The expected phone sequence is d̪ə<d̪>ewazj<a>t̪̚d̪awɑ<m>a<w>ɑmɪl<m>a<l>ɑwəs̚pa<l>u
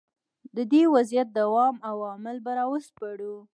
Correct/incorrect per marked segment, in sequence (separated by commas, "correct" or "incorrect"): correct, correct, correct, correct, incorrect, incorrect, incorrect